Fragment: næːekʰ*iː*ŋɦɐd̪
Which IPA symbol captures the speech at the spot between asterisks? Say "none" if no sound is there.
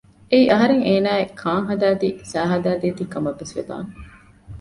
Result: aː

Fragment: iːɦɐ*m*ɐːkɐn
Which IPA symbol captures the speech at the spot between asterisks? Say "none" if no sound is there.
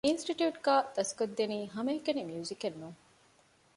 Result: m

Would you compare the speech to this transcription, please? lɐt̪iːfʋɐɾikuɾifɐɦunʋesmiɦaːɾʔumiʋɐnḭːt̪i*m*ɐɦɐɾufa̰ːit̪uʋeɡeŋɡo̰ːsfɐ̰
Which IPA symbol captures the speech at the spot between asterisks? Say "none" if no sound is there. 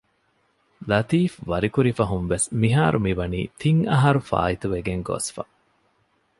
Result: ŋ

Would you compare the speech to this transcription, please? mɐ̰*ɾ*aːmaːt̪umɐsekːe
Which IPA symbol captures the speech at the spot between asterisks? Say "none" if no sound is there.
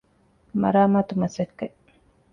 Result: ɾ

